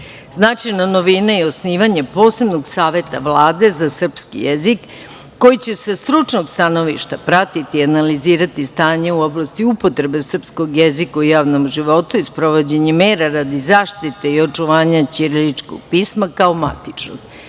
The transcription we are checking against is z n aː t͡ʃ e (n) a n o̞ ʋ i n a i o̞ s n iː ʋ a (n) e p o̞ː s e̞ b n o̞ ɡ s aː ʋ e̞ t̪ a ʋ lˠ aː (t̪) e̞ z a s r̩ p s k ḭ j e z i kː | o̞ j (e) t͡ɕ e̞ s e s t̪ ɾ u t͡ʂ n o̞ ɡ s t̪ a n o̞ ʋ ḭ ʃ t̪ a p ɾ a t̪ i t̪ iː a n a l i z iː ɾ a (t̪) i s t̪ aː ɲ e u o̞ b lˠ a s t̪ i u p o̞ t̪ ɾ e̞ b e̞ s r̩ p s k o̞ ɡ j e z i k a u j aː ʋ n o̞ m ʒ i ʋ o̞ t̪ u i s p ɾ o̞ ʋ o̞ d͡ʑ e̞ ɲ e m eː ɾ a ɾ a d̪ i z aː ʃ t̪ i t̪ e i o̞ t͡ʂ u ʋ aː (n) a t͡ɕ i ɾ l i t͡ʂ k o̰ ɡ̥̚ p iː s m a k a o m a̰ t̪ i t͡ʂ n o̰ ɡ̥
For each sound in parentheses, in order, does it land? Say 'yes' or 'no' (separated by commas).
yes, no, no, no, yes, no